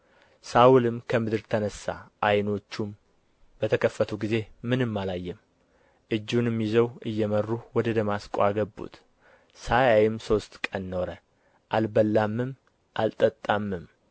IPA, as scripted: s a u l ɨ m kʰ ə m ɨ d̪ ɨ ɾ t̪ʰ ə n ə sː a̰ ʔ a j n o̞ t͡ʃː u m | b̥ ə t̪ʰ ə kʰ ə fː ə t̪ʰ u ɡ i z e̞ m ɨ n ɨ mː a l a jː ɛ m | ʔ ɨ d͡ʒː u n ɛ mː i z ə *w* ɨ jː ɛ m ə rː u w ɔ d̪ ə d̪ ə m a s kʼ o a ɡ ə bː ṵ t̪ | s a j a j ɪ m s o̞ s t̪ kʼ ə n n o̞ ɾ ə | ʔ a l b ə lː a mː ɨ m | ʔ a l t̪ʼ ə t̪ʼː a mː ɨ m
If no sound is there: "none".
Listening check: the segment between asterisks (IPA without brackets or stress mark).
w